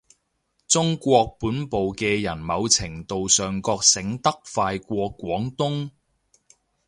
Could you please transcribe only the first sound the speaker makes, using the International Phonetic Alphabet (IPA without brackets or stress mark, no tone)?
t͡s